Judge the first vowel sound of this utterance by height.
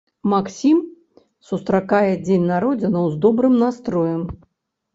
low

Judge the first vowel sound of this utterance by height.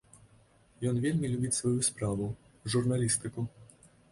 mid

